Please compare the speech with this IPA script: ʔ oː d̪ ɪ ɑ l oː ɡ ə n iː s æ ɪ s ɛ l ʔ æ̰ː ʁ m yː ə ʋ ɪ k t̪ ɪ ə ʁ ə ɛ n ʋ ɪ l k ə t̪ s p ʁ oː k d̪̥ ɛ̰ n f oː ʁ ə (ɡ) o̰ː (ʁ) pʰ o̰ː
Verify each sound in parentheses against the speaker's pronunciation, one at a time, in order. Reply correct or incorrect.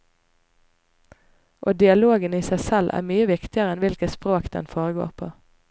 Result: correct, correct

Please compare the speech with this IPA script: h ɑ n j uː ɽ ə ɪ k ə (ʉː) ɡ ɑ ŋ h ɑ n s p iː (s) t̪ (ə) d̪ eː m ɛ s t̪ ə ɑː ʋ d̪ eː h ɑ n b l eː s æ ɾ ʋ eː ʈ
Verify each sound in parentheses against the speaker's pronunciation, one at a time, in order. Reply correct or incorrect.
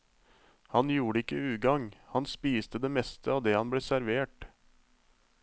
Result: correct, correct, correct

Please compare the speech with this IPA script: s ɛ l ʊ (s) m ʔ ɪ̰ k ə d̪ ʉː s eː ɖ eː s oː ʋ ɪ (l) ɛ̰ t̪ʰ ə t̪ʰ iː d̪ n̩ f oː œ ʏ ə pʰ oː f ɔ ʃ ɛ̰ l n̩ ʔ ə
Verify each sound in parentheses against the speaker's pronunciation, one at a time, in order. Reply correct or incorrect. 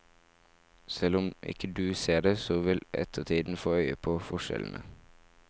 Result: incorrect: none, correct

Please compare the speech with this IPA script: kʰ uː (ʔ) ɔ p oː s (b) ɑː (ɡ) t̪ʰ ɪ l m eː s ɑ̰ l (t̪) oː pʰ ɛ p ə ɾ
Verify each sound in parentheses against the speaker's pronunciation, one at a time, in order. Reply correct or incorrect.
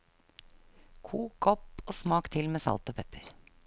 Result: incorrect: k, incorrect: m, incorrect: k, correct

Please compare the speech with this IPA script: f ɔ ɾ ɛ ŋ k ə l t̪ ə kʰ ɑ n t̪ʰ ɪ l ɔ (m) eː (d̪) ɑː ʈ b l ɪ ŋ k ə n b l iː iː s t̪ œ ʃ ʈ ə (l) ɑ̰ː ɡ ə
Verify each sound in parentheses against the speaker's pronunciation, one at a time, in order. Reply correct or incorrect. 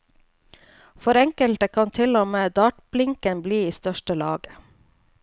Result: correct, correct, correct

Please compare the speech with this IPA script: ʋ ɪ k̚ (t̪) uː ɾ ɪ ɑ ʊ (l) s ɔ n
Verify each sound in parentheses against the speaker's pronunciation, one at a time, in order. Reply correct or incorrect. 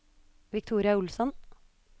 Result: incorrect: t̪ʰ, correct

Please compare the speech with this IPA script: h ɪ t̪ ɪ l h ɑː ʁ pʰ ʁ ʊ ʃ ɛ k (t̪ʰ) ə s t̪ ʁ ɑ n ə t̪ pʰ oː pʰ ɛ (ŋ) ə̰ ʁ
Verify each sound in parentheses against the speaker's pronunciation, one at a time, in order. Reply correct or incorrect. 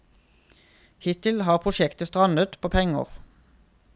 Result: incorrect: t̪, correct

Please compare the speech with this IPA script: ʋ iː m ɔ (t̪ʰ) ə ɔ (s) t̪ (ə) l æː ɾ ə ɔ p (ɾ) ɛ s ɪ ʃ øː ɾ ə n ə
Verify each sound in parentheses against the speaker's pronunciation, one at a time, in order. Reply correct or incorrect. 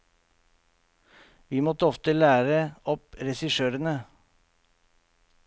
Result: incorrect: t̪, incorrect: f, correct, correct

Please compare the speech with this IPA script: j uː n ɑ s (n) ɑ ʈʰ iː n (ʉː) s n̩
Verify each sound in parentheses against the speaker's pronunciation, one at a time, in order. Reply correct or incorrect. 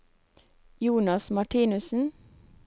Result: incorrect: m, incorrect: ʉ

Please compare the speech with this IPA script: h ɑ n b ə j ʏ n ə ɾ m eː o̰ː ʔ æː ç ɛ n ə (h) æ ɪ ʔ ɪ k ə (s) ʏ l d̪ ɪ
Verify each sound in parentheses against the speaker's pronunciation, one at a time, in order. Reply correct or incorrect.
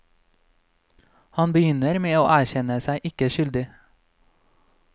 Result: incorrect: s, incorrect: ʃ

